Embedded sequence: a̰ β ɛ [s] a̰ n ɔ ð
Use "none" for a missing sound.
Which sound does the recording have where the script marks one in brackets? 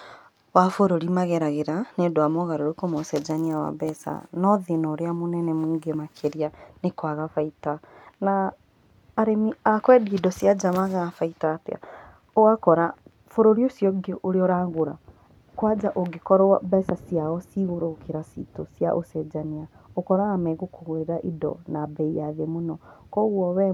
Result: s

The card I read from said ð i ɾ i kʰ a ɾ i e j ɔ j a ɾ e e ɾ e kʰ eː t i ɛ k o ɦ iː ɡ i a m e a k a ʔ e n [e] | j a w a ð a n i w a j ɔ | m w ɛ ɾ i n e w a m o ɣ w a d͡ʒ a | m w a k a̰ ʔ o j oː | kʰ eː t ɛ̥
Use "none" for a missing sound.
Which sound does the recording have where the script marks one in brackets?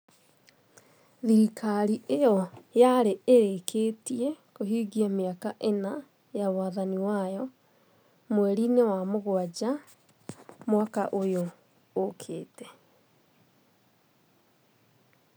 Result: a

